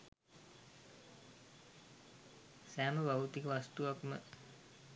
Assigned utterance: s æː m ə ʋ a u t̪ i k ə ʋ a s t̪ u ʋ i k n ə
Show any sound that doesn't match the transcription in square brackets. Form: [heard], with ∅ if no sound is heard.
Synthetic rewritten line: s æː m ə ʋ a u t̪ i k ə ʋ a s t̪ u ʋ [a] k [m] ə